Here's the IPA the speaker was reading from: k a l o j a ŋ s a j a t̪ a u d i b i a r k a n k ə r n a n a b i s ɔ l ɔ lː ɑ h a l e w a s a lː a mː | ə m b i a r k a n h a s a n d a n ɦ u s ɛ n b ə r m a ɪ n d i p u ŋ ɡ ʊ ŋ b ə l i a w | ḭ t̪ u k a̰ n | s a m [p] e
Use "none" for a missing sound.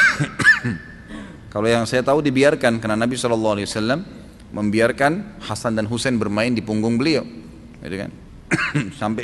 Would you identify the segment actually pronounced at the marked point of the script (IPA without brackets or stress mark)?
p